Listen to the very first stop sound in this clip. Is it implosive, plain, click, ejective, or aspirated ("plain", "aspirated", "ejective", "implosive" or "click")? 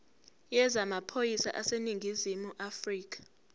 aspirated